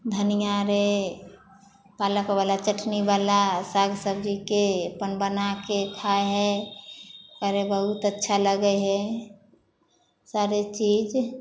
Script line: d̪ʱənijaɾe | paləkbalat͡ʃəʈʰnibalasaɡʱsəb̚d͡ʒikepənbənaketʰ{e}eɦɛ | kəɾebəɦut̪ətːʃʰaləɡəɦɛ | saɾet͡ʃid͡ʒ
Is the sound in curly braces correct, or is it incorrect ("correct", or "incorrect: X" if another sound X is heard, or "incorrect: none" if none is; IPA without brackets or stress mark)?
incorrect: a